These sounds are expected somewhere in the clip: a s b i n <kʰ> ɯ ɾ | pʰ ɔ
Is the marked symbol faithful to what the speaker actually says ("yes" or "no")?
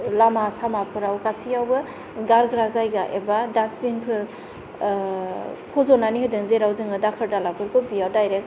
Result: no